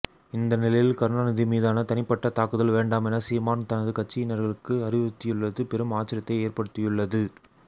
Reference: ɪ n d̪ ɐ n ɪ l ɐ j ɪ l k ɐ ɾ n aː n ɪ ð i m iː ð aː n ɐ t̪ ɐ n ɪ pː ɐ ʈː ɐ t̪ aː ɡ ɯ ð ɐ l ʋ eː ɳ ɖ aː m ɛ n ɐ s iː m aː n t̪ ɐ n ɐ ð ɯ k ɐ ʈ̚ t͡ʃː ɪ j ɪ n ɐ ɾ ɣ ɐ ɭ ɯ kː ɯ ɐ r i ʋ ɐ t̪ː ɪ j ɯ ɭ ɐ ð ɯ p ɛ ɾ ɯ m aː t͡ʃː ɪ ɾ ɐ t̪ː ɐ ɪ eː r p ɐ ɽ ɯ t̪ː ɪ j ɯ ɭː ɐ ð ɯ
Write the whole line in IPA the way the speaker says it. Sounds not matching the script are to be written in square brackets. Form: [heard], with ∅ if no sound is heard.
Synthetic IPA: ɪ n d̪ ɐ n ɪ l ɐ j ɪ l k ɐ ɾ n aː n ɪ ð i m iː ð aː n ɐ t̪ ɐ n ɪ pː ɐ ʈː ɐ t̪ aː [k] ɯ ð ɐ l ʋ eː ɳ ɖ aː m ɛ n ɐ s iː m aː n t̪ ɐ n ɐ ð ɯ k ɐ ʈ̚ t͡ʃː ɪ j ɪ n ɐ ɾ ɣ ɐ ɭ ɯ kː ɯ ɐ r [ɪ] ʋ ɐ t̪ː ɪ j ɯ [ɭː] ɐ ð ɯ p ɛ ɾ ɯ m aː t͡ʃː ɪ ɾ ɐ t̪ː ɐ ɪ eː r p ɐ ɽ ɯ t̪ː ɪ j ɯ ɭː ɐ ð ɯ